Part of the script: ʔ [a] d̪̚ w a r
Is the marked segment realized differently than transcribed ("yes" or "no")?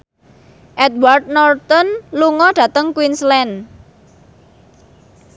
yes